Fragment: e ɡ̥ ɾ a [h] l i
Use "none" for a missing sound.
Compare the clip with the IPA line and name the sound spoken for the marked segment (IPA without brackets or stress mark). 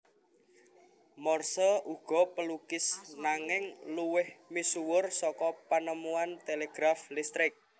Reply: f